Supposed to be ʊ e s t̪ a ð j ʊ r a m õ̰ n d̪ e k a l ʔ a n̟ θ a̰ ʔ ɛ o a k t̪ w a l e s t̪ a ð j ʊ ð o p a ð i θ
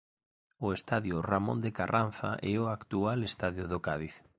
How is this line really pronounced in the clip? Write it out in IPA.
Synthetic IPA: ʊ e s t̪ a ð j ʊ r a m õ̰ n d̪ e k a r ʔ a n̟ θ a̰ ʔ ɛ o a k t̪ u a l e s t̪ a ð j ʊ ð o k a ð i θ

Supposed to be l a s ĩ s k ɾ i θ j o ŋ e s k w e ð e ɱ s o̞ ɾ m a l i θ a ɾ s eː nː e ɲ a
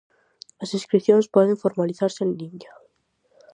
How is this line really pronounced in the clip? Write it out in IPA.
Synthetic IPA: l a s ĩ s k ɾ i θ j o n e s p w e ð e ɱ f o̞ ɾ m a l i θ a ɾ s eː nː i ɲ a

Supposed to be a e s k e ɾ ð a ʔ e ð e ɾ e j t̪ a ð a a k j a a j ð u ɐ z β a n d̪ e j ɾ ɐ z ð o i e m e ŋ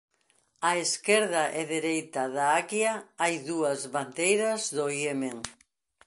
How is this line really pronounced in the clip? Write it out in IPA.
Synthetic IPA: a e s k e ɾ ð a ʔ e ð e ɾ e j t̪ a ð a a k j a a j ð u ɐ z β a n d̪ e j ɾ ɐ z ð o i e m e ŋ

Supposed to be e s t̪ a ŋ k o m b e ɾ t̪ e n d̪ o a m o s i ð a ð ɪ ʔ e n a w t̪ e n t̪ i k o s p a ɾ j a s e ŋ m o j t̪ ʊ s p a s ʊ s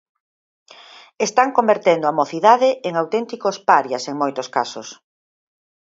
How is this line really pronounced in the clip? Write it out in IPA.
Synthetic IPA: e s t̪ a ŋ k o m b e ɾ t̪ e n d̪ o a m o θ i ð a ð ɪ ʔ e ŋ a w t̪ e n t̪ i k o s p a ɾ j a s e ŋ m o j t̪ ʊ s k a s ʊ s

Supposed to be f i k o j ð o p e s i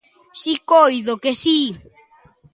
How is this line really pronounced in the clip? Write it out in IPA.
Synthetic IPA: s i k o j ð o k e s i

